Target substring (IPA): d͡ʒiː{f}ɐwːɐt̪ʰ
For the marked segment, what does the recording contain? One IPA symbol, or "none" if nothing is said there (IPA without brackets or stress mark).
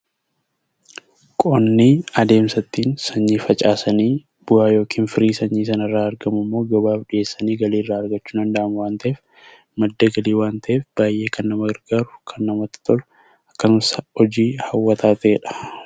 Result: h